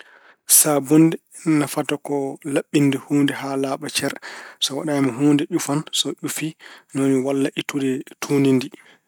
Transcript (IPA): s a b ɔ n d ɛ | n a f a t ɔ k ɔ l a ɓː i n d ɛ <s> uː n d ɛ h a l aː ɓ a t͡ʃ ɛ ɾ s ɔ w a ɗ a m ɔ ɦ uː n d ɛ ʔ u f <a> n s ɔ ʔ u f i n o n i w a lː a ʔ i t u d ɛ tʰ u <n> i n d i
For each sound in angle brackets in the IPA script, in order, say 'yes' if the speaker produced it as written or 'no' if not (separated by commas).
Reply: no, yes, yes